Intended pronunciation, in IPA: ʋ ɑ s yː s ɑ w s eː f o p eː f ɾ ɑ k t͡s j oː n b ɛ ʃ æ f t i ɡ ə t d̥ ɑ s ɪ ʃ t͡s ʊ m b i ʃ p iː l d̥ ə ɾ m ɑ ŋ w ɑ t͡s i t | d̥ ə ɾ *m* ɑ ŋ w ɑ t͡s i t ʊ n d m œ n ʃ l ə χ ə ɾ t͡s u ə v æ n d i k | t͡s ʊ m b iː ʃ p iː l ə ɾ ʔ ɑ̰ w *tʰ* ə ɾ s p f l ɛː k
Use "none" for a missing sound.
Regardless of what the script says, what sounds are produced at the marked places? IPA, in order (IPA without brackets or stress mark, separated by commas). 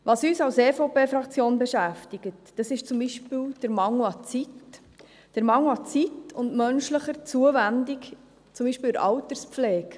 m, t